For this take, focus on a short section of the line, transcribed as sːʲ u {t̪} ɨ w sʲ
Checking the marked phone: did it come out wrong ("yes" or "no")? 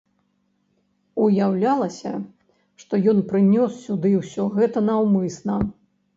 yes